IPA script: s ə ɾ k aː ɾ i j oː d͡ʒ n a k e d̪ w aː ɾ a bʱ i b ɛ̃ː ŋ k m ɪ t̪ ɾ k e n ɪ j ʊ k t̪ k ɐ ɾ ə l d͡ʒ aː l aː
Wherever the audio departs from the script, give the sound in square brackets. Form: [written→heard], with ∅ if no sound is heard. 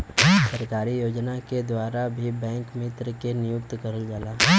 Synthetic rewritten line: s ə ɾ k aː ɾ i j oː d͡ʒ n a k e d̪ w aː ɾ a bʱ i b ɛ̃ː ŋ k m ɪ t̪ ɾ k e n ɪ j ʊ k t̪ k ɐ ɾ ə l d͡ʒ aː l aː